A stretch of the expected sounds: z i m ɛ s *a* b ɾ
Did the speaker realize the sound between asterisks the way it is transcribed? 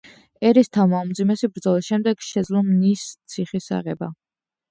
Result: no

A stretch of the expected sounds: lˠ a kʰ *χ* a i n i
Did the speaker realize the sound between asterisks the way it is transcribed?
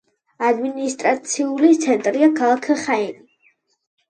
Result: yes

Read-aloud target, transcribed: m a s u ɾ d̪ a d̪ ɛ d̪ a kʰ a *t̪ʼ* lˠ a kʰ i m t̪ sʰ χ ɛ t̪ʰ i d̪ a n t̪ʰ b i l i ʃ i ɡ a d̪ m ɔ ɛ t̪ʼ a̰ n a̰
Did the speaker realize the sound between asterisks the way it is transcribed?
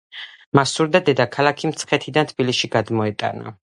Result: no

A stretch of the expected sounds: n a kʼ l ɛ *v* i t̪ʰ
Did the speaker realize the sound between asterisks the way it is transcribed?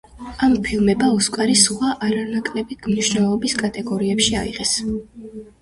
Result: no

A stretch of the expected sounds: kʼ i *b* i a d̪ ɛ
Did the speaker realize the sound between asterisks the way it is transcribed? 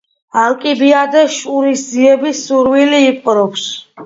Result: yes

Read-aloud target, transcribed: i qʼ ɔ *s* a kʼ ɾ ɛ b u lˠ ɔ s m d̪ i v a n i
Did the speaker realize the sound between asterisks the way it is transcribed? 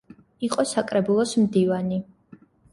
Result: yes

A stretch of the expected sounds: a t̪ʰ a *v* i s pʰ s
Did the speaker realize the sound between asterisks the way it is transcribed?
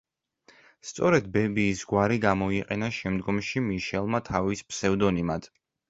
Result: yes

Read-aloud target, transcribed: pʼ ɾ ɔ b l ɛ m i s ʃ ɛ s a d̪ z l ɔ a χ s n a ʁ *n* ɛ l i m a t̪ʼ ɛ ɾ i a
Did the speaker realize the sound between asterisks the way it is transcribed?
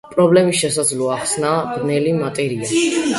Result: yes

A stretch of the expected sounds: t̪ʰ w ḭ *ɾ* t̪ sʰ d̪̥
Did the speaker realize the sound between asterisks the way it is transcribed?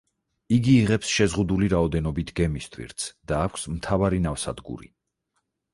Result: yes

